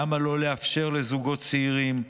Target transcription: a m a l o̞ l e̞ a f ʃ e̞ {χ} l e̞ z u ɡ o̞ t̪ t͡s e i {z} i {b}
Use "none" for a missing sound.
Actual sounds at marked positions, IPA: ʁ, ʁ, m

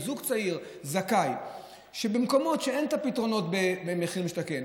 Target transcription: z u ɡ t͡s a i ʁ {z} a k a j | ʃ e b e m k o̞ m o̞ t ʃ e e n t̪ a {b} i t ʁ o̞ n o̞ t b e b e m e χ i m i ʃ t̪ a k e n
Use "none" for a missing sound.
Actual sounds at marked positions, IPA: z, p

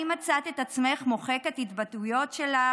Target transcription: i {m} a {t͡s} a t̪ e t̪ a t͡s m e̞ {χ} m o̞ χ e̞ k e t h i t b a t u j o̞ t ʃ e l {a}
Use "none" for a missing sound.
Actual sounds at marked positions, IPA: m, t͡s, χ, a

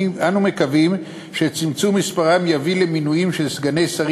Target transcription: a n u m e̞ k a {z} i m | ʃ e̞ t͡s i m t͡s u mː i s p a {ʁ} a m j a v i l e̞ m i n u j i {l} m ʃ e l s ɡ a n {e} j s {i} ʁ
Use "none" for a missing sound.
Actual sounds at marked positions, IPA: v, ʁ, none, e, a

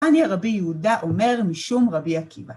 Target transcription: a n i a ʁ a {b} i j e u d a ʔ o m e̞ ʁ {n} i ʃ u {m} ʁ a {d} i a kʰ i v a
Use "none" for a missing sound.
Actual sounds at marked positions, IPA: b, m, m, b

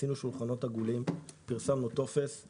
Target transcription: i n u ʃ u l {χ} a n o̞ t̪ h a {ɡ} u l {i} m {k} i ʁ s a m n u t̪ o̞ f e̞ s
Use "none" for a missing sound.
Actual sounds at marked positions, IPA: χ, ɡ, i, p

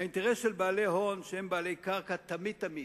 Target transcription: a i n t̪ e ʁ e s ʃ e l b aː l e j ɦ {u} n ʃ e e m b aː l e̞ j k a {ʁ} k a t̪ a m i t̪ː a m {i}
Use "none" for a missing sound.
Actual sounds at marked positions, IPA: o, ʁ, i

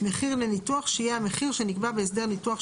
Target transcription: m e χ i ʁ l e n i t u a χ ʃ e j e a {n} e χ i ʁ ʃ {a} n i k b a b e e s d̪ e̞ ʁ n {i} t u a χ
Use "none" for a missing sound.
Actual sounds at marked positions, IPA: m, e, i

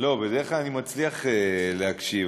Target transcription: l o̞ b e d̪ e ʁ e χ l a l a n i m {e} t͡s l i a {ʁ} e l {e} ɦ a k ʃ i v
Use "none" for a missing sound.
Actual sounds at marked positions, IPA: a, χ, e

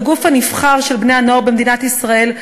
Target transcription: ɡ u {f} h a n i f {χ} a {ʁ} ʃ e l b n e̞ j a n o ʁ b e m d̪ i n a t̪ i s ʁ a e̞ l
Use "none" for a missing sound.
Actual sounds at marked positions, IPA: f, χ, ʁ

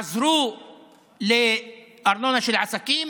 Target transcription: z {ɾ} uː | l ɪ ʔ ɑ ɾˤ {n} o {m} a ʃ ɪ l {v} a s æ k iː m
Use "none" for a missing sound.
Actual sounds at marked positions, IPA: ɾ, n, n, ʕ

